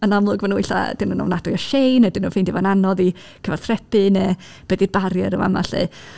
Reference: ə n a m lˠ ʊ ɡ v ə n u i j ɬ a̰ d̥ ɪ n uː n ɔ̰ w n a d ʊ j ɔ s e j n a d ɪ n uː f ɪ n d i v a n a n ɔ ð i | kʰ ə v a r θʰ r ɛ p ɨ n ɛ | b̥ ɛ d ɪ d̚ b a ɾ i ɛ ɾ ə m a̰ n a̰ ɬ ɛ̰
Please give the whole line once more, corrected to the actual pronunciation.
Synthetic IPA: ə n a m lˠ ʊ ɡ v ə n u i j ɬ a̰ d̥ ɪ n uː n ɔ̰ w n a d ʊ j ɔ ʃ e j n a d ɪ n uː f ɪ n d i v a n a n ɔ ð i | kʰ ə v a r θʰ r ɛ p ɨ n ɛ | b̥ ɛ d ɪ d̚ b a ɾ j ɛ ɾ ə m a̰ m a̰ ɬ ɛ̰